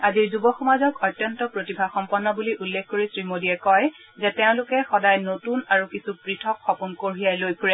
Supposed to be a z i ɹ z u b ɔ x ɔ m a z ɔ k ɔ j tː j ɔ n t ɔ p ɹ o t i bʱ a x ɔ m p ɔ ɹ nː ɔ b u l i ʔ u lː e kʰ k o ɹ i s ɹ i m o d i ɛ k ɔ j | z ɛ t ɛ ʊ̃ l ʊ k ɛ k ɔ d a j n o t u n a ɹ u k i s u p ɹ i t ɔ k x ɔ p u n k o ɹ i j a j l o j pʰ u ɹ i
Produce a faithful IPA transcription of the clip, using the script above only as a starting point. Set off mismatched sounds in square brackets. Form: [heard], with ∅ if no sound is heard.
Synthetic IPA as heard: a z i ɹ z u b ɔ x ɔ m a z ɔ k ɔ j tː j ɔ n t ɔ p ɹ o t i bʱ a x ɔ m p ɔ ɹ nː ɔ b u l i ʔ u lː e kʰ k o ɹ i s ɹ i m o d i ɛ k ɔ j | z ɛ t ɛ ʊ̃ l ʊ k ɛ [x] ɔ d a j n o t u n a ɹ u k i s u p ɹ i [tʰ] ɔ k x ɔ p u n k o ɹ i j a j l o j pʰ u ɹ [ɛ]